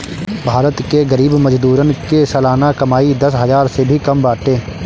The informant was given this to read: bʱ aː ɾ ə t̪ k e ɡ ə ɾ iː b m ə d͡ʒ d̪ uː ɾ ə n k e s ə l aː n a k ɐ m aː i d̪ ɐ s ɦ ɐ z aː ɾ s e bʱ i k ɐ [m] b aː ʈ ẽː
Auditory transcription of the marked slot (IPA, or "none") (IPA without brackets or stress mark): m